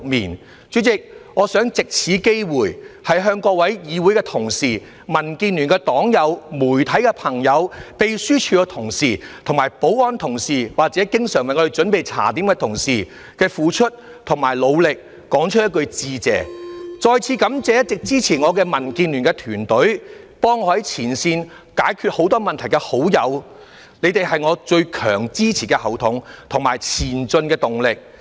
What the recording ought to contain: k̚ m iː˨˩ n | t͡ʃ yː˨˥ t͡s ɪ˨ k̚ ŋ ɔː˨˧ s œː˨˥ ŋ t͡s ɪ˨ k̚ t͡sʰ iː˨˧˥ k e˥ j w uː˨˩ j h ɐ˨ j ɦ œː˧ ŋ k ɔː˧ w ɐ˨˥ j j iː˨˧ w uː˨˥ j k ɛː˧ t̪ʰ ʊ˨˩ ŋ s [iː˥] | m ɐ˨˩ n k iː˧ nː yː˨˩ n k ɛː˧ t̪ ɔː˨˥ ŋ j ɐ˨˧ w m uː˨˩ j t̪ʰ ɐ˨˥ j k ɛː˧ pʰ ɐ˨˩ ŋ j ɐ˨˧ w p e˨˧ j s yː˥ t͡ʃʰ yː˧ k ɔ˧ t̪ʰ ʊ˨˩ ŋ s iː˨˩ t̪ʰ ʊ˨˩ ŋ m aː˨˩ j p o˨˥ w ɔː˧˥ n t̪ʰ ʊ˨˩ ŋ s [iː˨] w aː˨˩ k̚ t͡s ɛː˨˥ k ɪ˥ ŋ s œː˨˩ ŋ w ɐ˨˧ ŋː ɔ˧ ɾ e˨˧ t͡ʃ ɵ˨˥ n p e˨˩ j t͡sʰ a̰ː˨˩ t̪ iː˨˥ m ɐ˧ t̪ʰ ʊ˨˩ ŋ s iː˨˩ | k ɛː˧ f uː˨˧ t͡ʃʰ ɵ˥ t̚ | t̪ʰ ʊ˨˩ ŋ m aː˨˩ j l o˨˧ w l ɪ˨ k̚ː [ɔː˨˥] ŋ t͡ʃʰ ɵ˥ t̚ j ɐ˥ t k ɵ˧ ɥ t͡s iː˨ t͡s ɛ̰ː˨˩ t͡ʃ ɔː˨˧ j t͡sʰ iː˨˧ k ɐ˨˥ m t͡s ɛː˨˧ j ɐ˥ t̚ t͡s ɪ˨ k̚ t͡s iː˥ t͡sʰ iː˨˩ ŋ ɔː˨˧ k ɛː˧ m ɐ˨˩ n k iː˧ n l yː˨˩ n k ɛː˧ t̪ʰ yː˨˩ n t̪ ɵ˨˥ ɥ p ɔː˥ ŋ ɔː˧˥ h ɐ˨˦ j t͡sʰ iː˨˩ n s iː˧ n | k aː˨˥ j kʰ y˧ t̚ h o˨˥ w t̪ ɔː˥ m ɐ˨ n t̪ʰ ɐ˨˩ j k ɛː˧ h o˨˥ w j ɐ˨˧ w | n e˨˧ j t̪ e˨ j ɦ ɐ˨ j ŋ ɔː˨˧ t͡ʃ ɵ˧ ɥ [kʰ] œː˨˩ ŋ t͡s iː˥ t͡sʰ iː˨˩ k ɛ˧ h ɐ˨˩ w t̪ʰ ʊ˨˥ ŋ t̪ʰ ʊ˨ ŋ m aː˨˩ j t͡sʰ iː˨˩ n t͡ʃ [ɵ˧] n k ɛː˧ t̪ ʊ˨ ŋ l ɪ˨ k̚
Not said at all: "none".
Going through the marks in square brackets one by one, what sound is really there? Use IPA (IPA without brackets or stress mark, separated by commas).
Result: iː˨˩, iː˨, ɔː˨˥, kʰ, ɵ˧